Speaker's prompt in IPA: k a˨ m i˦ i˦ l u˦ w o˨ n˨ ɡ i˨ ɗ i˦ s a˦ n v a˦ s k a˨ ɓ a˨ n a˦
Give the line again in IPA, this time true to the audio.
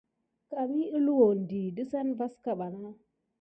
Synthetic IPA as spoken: k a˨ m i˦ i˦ l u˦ w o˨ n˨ d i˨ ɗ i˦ s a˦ n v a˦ s k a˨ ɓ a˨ n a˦